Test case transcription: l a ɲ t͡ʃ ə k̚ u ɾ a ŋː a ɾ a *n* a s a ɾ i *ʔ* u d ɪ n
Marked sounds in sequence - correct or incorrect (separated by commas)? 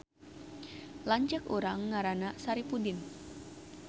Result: correct, incorrect